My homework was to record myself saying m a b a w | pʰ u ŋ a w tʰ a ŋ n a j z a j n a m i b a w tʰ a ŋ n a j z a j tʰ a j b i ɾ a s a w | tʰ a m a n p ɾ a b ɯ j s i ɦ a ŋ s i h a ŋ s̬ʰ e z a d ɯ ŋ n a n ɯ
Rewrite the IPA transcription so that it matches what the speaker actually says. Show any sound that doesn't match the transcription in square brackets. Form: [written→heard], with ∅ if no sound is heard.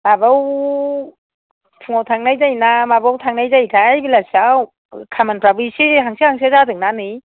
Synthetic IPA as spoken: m a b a w | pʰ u ŋ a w tʰ a ŋ n a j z a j n a m [i→a] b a w tʰ a ŋ n a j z a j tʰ a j b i [ɾ→l] a s a w | [tʰ→kʰ] a m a n p ɾ a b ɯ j s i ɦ a ŋ s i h a ŋ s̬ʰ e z a d ɯ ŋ n a n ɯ

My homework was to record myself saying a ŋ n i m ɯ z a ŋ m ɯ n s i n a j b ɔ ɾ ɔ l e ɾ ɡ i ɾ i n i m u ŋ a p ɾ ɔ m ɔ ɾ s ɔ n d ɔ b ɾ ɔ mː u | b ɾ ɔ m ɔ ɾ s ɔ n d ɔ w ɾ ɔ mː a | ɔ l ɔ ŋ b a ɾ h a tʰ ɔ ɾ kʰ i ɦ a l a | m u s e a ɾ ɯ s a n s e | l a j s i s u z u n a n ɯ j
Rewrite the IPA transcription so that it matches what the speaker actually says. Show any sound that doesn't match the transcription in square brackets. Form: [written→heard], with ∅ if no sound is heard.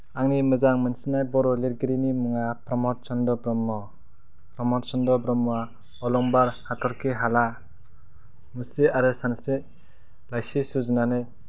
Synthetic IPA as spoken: a ŋ n i m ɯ z a ŋ m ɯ n s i n a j b ɔ ɾ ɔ l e ɾ ɡ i ɾ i n i m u ŋ a p ɾ ɔ m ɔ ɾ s ɔ n d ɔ b ɾ ɔ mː [u→ɔ] | [b→p] ɾ ɔ m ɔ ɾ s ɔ n d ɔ [w→b] ɾ ɔ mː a | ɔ l ɔ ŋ b a ɾ h a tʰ ɔ ɾ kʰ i ɦ a l a | m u s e a ɾ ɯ s a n s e | l a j s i s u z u n a n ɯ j

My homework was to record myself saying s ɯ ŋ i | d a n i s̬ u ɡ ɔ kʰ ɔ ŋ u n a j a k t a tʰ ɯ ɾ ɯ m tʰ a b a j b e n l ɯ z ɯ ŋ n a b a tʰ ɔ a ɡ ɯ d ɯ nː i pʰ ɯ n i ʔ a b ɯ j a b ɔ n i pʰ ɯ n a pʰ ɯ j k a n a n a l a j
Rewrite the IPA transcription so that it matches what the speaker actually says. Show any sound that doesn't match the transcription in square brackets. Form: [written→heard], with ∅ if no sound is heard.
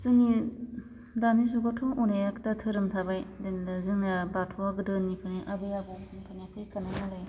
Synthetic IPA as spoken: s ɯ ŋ i | d a n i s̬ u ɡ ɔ [kʰ→tʰ] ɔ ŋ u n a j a k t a tʰ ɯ ɾ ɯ m tʰ a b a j [b→d] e n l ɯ z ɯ ŋ n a b a tʰ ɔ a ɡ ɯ d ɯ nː i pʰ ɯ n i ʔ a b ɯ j a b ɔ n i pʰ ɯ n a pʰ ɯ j k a n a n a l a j

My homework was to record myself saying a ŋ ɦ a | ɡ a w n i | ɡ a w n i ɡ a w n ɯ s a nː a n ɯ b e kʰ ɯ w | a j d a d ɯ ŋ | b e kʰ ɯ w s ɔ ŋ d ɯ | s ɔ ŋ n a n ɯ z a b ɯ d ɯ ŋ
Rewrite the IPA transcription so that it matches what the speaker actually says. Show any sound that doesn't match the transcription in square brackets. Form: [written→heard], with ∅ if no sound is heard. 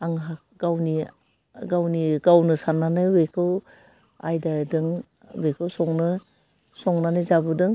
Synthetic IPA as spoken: a ŋ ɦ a | ɡ a w n i | ɡ a w n i ɡ a w n ɯ s a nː a n ɯ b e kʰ ɯ w | a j d a d ɯ ŋ | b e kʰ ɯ w s ɔ ŋ [d→n] ɯ | s ɔ ŋ n a n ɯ z a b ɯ d ɯ ŋ

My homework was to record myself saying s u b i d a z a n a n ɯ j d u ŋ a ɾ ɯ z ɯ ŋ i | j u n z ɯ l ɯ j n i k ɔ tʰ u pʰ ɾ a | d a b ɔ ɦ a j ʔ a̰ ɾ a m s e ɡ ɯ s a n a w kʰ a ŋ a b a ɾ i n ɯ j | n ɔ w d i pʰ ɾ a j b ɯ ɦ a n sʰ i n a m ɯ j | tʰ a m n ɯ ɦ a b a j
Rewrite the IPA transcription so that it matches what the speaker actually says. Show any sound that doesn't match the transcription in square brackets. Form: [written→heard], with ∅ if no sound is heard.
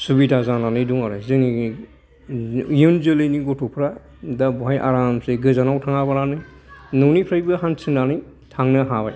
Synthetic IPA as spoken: s u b i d a z a n a n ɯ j d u ŋ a ɾ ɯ z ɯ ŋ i | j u n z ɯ l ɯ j n i [k→ɡ] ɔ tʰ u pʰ ɾ a | d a b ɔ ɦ a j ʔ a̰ ɾ a m s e ɡ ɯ [s→z] a n a w [kʰ→tʰ] a ŋ a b a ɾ [i→a] n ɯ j | n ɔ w [d→n] i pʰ ɾ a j b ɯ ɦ a n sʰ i n a [m→n] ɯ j | tʰ a [m→ŋ] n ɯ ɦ a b a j

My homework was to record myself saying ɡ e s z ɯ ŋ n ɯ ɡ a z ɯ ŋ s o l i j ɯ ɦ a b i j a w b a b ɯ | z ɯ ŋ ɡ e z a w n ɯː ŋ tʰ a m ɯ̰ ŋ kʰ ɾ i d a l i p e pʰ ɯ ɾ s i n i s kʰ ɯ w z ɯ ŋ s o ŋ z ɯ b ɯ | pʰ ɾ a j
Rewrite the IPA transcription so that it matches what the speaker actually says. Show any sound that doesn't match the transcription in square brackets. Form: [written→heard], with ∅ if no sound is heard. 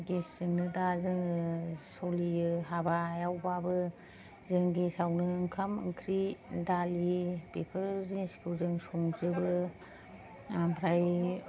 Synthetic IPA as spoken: ɡ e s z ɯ ŋ n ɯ [ɡ→d] a z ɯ ŋ s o l i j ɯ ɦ a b [i→a] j a w b a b ɯ | z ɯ ŋ ɡ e [z→s] a w n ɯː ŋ [tʰ→kʰ] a m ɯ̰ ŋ kʰ ɾ i d a l i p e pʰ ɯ ɾ [s→z] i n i s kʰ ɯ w z ɯ ŋ s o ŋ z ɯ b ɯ | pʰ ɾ a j

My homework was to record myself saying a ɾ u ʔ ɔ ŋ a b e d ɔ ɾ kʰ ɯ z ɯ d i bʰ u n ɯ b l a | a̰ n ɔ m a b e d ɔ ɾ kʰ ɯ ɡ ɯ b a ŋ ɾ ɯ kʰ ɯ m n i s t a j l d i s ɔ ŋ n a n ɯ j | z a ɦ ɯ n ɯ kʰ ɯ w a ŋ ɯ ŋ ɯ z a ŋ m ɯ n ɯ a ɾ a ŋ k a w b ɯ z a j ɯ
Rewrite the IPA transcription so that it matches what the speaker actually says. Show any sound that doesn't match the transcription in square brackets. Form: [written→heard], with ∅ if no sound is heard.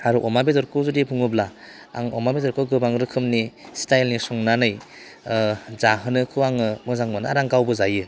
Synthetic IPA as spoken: a ɾ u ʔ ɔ [ŋ→m] a b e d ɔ ɾ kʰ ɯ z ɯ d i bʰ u [n→ŋ] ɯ b l a | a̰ [n→ŋ] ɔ m a b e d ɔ ɾ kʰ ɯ ɡ ɯ b a ŋ ɾ ɯ kʰ ɯ m n i s t a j l [d→n] i s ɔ ŋ n a n ɯ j | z a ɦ ɯ n ɯ kʰ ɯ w a ŋ ɯ [ŋ→m] ɯ z a ŋ m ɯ n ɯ a ɾ a ŋ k a w b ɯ z a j ɯ

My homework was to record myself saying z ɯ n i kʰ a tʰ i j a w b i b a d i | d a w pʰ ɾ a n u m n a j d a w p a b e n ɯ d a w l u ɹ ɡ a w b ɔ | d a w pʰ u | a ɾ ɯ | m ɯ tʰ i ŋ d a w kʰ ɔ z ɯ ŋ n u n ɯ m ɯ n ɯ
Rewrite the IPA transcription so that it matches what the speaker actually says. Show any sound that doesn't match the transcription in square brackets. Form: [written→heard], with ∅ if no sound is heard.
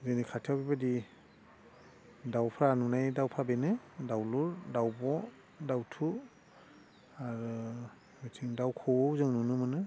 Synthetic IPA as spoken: z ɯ n i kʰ a tʰ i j a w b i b a d i | d a w pʰ ɾ a n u [m→∅] n a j d a w [p→pʰ] a b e n ɯ d a w l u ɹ [ɡ→d] a w b ɔ | d a w [pʰ→tʰ] u | a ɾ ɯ | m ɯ tʰ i ŋ d a w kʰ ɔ z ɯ ŋ n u n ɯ m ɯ n ɯ

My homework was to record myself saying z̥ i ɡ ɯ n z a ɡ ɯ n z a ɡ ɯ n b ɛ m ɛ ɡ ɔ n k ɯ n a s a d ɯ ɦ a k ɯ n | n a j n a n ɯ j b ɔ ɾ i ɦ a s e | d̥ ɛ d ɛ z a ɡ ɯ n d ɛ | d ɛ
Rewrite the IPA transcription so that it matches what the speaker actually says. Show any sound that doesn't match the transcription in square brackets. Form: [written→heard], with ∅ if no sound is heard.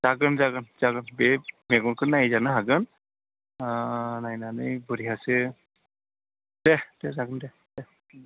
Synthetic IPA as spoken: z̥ [i→a] ɡ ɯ n z a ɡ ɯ n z a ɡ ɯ n b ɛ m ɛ ɡ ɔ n k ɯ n a [s→z] a [d→n] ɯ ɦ a [k→ɡ] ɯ n | n a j n a n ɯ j b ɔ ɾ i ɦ a s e | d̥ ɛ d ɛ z a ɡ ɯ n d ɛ | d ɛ

